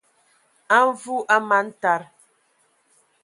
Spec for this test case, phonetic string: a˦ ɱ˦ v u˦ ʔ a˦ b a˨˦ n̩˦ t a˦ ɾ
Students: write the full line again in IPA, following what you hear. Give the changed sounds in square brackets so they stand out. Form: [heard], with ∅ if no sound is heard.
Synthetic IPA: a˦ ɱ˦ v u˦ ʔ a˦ [m] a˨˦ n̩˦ t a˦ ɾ